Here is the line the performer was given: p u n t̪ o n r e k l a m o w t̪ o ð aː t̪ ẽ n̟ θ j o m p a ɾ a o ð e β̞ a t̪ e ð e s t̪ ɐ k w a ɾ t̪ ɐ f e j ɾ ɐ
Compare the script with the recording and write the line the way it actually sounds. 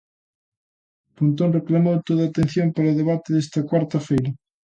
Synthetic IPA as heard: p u n t̪ o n r e k l a m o w t̪ o ð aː t̪ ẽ n̟ θ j o m p a ɾ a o ð e β̞ a t̪ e ð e s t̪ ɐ k w a ɾ t̪ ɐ f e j ɾ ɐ